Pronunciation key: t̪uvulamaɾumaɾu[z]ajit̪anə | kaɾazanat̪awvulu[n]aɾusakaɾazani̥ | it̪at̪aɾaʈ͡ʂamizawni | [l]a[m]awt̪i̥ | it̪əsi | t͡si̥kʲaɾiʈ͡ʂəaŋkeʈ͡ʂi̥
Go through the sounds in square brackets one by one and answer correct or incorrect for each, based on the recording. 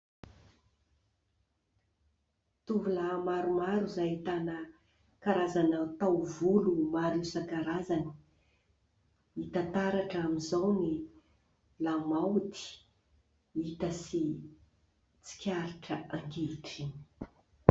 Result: correct, incorrect: m, correct, correct

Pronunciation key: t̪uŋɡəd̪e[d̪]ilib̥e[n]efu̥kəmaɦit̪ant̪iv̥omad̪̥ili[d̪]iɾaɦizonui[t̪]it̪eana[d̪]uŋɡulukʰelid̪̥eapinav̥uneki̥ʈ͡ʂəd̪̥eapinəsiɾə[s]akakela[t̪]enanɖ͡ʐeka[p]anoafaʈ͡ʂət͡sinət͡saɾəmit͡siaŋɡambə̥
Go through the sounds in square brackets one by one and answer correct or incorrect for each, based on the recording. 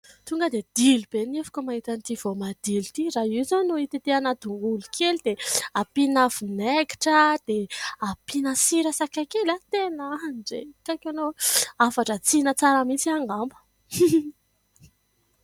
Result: correct, correct, incorrect: t̪, correct, correct, correct, correct, incorrect: k

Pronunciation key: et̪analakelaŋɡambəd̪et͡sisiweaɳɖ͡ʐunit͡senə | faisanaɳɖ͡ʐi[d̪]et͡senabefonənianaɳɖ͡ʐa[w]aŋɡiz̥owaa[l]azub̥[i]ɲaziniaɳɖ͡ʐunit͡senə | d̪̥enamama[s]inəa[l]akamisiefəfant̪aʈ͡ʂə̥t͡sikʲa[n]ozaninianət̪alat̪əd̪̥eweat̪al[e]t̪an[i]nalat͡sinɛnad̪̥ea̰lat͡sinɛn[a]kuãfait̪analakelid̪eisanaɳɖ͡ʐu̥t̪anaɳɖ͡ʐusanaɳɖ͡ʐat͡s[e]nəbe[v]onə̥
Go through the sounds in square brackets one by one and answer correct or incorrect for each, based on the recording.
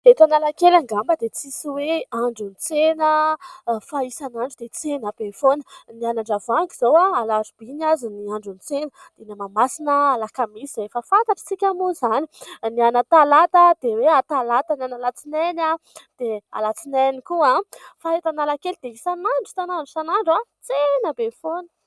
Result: correct, incorrect: v, correct, correct, correct, correct, incorrect: m, incorrect: a, incorrect: a, incorrect: i, correct, incorrect: f

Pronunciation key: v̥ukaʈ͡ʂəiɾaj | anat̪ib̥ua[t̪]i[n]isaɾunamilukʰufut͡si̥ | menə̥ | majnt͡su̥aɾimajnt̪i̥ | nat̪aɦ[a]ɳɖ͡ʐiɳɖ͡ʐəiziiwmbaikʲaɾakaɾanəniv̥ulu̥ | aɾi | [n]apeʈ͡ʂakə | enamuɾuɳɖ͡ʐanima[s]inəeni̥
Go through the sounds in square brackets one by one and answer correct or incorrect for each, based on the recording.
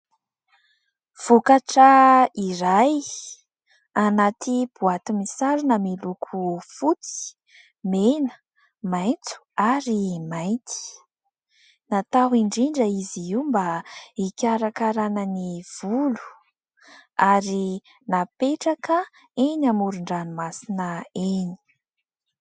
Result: correct, incorrect: m, incorrect: i, correct, correct

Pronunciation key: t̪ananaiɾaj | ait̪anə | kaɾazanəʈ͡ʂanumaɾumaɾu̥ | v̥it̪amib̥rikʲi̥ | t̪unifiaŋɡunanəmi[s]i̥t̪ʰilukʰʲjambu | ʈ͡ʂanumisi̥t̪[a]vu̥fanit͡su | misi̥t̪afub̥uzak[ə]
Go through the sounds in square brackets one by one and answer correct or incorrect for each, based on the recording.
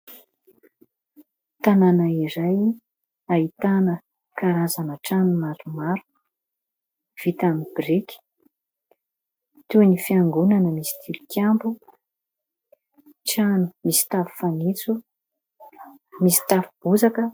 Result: correct, correct, correct

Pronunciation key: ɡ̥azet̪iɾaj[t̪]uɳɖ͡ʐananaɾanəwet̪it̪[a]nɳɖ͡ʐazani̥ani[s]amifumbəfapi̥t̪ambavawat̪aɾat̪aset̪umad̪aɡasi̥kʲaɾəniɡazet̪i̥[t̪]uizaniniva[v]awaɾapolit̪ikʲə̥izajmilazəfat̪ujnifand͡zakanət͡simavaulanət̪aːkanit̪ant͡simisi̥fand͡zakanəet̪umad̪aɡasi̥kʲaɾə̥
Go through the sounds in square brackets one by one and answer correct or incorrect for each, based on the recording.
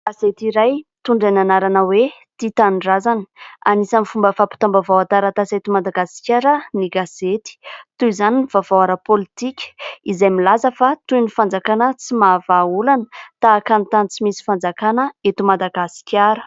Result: correct, correct, correct, correct, correct

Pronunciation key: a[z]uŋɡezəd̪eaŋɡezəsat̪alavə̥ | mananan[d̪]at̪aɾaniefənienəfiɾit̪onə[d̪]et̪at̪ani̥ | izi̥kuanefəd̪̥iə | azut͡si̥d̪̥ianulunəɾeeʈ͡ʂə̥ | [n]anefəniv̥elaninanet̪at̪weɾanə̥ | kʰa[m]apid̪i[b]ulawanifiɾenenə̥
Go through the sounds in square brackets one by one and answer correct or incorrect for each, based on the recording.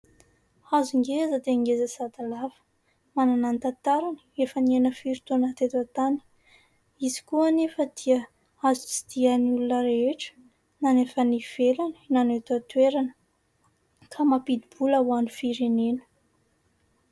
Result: correct, incorrect: t̪, incorrect: t̪, correct, correct, correct

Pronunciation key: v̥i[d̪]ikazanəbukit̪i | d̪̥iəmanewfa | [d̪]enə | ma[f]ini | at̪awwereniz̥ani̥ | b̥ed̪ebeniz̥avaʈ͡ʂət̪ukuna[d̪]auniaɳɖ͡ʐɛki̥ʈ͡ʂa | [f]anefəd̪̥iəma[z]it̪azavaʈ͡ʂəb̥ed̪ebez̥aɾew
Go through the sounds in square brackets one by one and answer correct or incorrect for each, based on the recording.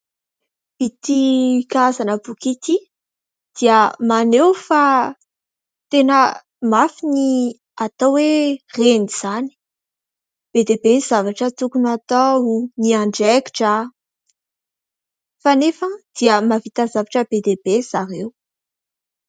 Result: incorrect: t̪, incorrect: t̪, correct, incorrect: t̪, correct, incorrect: v

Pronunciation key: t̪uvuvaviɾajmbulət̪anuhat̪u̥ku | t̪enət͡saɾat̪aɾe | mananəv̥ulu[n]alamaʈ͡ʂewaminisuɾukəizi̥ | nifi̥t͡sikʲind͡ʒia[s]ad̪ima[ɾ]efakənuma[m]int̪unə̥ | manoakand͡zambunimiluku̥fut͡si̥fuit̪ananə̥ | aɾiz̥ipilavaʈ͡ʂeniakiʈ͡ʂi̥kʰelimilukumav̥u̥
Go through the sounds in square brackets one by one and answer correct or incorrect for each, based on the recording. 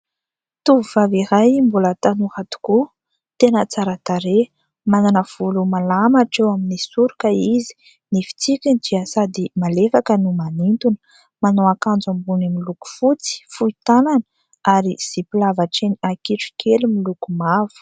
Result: incorrect: m, correct, incorrect: l, incorrect: n

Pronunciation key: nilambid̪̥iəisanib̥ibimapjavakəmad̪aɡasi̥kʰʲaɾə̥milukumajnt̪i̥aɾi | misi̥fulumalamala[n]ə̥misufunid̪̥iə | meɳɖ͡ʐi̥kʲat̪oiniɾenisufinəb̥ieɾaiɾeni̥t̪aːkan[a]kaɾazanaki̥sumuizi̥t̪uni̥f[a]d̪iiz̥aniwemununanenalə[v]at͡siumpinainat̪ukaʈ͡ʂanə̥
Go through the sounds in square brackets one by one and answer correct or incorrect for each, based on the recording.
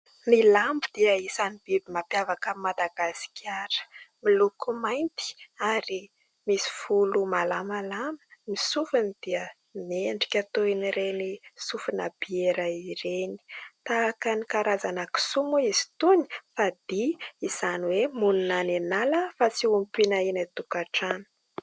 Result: incorrect: m, incorrect: i, correct, incorrect: f

